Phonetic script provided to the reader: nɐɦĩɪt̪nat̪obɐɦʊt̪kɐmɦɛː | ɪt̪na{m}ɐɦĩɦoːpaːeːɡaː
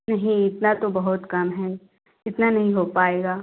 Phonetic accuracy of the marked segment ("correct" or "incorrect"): incorrect